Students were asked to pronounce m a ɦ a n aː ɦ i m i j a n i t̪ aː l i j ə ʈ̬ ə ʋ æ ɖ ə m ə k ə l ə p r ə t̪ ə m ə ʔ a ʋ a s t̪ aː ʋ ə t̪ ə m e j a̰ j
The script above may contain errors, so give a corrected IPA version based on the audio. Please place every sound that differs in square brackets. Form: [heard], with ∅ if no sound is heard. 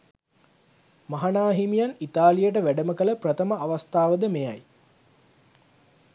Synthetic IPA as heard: m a ɦ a n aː ɦ i m i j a n i t̪ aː l i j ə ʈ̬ ə ʋ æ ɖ ə m ə k ə l ə p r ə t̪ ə m ə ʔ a ʋ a s t̪ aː ʋ ə [d̪] ə m e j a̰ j